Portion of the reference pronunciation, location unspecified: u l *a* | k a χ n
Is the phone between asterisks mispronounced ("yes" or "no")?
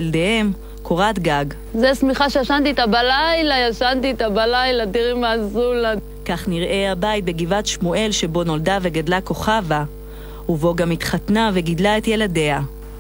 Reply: no